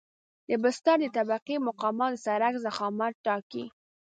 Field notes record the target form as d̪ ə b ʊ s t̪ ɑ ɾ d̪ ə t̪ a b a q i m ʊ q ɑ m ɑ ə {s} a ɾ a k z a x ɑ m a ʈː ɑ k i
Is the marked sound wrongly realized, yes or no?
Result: no